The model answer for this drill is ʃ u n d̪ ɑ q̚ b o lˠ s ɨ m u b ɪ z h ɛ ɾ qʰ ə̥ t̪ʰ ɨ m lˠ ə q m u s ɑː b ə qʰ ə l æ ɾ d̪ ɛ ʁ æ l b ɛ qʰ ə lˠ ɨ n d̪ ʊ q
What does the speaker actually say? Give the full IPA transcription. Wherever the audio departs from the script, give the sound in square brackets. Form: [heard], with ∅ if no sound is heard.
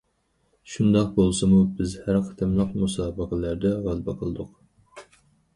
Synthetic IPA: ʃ u n d̪ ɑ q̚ b o lˠ s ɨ m u b ɪ z h [æ] ɾ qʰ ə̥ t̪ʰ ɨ m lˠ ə q m u s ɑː b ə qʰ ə l æ ɾ d̪ ɛ ʁ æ l b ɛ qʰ ə lˠ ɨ [∅] d̪ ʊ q